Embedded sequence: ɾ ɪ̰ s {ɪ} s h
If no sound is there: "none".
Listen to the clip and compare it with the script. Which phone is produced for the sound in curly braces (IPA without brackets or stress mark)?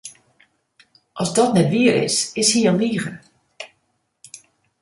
ɪ